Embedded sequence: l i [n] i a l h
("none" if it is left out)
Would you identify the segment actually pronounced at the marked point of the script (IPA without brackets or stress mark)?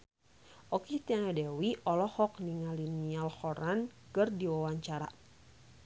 n